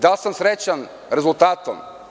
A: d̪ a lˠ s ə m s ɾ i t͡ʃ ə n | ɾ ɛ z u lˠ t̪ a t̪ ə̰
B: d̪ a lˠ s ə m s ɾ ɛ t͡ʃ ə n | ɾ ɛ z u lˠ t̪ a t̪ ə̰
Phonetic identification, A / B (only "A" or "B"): B